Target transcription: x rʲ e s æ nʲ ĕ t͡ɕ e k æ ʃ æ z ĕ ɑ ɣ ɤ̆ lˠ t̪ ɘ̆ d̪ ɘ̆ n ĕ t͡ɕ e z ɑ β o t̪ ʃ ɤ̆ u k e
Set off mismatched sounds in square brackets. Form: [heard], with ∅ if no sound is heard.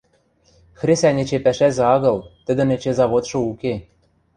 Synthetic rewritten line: x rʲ e s æ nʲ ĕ t͡ɕ e [p] æ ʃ æ z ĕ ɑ ɣ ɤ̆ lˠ t̪ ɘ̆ d̪ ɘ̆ n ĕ t͡ɕ e z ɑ β o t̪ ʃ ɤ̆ u k e